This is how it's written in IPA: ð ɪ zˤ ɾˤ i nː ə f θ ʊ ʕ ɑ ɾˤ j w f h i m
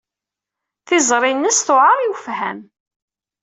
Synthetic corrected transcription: θ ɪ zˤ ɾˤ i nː ə s θ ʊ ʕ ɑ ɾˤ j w f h æ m